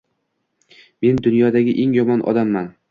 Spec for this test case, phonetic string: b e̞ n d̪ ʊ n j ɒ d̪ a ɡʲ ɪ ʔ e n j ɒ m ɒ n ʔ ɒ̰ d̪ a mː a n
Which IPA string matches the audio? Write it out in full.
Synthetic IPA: m e̞ n d̪ ʊ n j ɒ d̪ a ɡʲ ɪ ʔ e ŋ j ɒ m ɒ n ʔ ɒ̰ d̪ a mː a n